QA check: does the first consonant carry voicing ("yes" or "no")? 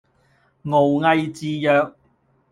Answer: yes